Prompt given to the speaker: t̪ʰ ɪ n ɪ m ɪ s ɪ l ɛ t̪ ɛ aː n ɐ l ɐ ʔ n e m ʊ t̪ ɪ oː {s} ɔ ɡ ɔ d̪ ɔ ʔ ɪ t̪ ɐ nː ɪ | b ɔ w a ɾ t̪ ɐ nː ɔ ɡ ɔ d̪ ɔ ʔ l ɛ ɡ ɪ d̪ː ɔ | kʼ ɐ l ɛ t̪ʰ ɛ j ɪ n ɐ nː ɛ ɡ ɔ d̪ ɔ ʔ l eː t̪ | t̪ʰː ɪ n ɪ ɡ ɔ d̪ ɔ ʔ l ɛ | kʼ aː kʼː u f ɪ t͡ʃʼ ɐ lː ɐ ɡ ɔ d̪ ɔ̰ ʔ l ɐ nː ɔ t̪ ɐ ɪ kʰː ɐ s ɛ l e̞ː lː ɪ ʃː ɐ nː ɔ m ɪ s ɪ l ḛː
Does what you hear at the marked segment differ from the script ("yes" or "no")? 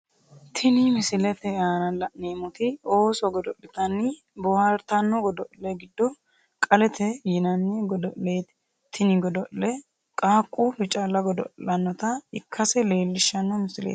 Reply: no